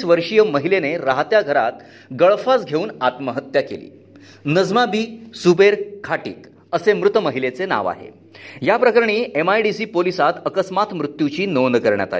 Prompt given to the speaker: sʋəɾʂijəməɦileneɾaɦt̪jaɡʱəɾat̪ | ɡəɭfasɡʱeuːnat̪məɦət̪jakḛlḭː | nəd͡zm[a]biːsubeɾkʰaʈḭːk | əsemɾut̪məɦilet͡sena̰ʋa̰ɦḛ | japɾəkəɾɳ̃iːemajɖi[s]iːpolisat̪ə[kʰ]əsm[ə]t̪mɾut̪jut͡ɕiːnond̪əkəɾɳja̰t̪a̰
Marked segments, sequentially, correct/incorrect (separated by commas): correct, correct, incorrect, incorrect